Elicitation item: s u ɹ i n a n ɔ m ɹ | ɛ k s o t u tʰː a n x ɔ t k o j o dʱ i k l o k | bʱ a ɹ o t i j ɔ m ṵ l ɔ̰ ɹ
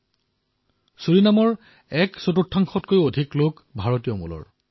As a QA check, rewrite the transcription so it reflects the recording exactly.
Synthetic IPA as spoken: s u ɹ i n a m ɔ ɹ | ɛ k s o t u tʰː a ŋ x ɔ t k o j o dʱ i k l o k | bʱ a ɹ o t i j ɔ m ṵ l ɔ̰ ɹ